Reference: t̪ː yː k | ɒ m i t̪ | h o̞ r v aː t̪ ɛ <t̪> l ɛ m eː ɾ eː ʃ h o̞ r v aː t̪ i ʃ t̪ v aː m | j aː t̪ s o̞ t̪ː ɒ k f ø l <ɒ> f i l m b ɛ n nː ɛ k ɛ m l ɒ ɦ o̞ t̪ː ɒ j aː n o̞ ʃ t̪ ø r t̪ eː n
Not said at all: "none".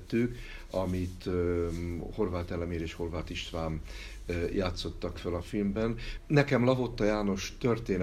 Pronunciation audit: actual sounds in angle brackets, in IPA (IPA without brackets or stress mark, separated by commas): none, ɒ